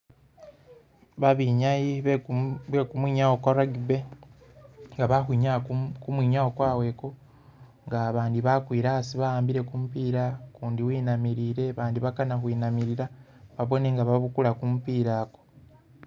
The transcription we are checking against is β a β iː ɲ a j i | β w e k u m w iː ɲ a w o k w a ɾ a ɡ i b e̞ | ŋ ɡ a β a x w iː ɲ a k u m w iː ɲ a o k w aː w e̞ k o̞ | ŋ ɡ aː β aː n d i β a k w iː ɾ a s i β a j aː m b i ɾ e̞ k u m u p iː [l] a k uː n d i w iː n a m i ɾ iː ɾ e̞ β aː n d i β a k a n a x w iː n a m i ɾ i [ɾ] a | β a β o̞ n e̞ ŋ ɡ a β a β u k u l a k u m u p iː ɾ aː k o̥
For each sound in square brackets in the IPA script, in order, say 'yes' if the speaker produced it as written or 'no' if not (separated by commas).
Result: no, yes